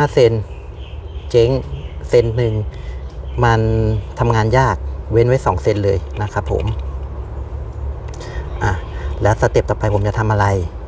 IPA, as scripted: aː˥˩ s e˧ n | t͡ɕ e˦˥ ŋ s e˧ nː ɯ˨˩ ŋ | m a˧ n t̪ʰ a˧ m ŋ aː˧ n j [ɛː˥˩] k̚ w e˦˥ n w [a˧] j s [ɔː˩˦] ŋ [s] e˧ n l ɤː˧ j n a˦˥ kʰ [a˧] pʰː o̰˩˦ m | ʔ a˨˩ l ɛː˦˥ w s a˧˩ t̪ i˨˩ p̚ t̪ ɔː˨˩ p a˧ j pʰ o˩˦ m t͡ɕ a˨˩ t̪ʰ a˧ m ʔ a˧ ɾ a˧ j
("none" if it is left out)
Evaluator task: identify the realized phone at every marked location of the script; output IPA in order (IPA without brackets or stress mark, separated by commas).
aː˥˩, a˦˥˩, ɔː˩˦, s, a˦˥